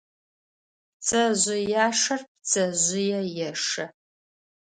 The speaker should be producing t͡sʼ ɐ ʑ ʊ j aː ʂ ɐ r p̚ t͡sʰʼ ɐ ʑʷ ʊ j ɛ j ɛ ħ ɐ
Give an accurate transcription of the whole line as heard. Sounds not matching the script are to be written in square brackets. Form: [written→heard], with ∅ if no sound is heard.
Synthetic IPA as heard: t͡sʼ ɐ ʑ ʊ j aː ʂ ɐ r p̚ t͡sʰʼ ɐ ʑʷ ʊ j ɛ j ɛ [ħ→ʂ] ɐ